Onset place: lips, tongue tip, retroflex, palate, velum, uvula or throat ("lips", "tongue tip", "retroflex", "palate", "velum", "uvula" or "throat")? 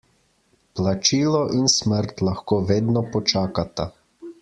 lips